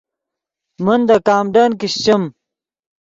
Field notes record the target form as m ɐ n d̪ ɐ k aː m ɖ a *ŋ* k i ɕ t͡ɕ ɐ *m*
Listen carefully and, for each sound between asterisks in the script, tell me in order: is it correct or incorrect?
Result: incorrect, correct

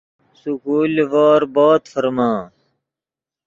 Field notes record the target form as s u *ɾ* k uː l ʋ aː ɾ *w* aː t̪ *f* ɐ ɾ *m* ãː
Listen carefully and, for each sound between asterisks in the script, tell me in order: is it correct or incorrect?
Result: incorrect, incorrect, correct, correct

